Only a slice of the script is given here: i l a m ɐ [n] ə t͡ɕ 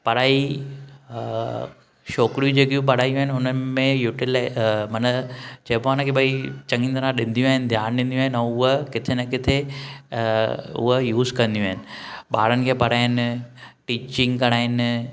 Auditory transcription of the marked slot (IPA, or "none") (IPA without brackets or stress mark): n